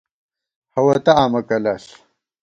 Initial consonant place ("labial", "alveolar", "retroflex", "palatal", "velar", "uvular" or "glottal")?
glottal